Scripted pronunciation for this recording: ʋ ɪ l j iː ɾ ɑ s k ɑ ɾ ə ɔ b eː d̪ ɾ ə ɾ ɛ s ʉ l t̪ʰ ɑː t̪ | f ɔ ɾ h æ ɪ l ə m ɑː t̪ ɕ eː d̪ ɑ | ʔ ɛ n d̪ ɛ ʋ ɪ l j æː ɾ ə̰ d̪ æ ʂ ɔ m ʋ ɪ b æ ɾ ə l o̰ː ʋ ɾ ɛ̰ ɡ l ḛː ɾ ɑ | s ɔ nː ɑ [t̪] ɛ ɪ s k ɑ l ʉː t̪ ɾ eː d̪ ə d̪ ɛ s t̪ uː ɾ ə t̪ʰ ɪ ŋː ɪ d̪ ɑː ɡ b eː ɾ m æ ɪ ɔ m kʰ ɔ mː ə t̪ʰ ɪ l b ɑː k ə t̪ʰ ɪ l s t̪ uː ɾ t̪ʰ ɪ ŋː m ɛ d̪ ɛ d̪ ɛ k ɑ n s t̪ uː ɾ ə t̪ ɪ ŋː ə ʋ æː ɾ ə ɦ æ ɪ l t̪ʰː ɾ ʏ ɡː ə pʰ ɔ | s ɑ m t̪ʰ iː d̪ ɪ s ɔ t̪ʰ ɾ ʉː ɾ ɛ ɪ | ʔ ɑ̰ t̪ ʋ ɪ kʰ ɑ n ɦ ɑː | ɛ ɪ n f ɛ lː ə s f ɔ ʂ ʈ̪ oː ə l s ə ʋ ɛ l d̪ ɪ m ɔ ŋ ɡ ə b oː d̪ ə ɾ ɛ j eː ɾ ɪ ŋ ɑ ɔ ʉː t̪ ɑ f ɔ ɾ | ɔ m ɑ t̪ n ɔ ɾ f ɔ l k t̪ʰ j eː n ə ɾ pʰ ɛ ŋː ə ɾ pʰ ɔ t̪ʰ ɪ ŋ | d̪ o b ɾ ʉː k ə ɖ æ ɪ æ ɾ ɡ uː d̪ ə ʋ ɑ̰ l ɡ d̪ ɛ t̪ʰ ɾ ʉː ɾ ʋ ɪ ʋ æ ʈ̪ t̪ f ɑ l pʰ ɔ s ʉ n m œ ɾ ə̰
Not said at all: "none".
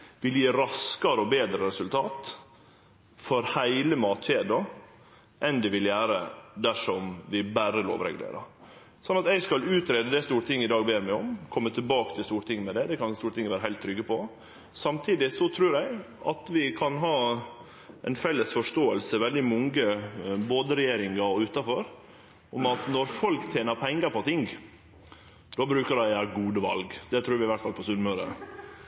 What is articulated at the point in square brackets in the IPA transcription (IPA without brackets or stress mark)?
t̪